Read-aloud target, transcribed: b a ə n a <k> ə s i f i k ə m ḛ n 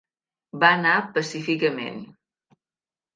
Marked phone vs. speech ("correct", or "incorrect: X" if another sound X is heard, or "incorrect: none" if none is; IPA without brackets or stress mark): incorrect: p